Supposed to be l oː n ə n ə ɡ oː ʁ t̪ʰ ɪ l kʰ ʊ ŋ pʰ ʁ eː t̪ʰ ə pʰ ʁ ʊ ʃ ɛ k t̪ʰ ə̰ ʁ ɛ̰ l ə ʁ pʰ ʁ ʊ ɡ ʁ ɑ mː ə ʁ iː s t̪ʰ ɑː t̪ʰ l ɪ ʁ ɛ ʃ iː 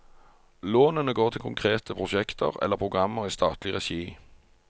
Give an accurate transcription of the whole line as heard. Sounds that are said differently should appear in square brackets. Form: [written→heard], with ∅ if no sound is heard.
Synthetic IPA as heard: l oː n ə n ə ɡ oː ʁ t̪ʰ ɪ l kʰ ʊ ŋ [pʰ→kʰ] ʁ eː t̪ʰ ə pʰ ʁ ʊ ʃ ɛ k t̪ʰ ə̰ ʁ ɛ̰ l ə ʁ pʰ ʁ ʊ ɡ ʁ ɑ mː ə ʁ iː s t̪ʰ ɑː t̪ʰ l ɪ ʁ ɛ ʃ iː